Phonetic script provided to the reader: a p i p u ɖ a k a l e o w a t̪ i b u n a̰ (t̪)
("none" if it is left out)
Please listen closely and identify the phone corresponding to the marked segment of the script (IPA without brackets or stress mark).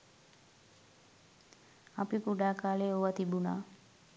none